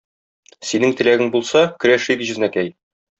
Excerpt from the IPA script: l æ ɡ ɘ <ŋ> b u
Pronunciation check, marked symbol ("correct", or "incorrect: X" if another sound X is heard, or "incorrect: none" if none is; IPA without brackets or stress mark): correct